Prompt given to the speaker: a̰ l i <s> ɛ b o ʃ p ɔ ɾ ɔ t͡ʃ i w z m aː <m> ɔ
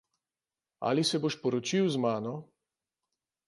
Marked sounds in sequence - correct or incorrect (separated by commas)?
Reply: correct, incorrect